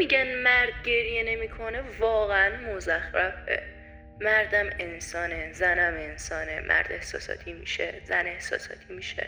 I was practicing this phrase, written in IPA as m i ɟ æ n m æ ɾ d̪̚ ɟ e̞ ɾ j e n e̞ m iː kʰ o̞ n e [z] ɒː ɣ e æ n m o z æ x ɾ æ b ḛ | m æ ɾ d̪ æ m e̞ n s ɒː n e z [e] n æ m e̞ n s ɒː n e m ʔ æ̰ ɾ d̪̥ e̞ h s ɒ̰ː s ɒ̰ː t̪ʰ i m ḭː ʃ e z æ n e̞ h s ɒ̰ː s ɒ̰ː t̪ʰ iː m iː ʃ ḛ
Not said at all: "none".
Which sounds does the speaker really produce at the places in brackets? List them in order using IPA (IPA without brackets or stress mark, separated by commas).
v, æ